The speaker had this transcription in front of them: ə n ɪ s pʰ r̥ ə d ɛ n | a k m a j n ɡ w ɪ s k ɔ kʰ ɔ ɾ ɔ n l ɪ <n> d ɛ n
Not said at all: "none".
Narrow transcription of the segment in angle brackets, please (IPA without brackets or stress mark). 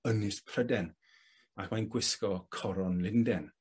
n